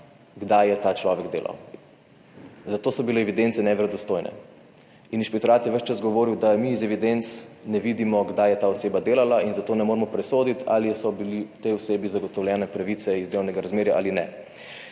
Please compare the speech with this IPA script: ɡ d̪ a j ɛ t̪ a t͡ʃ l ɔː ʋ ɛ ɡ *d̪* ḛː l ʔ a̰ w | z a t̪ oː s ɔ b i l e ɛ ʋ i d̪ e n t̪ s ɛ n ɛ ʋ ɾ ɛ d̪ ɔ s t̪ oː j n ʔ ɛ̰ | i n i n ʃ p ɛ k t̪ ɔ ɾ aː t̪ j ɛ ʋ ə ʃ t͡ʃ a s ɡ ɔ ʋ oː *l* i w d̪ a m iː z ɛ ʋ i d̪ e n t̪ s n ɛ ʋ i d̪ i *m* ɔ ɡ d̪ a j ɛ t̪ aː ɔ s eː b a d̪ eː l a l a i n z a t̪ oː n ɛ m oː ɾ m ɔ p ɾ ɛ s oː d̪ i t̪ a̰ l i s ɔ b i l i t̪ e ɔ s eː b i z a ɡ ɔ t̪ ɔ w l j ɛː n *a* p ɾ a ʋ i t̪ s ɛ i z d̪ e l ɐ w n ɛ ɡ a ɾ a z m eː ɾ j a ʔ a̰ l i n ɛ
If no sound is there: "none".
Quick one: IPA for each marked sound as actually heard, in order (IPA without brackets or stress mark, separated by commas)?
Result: d̪, ɾ, m, ɛ